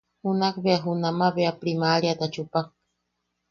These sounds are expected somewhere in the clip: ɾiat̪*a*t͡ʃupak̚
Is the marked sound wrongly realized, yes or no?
no